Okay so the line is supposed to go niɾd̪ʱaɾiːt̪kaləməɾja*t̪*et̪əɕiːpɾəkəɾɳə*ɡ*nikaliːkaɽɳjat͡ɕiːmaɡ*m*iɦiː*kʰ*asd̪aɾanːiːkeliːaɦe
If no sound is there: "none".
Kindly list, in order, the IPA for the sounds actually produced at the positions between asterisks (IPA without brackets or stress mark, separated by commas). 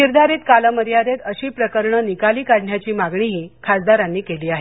d̪, none, ɳ, kʰ